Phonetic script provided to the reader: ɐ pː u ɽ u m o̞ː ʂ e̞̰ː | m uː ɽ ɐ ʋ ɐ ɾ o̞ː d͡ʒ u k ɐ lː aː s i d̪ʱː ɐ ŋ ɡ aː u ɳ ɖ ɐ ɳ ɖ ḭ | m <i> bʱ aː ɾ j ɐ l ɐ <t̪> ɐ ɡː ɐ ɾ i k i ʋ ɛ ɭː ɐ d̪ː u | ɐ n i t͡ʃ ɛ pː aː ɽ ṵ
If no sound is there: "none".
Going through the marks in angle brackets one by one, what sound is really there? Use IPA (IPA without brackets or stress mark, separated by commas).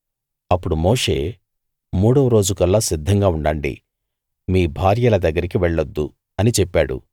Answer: iː, d̪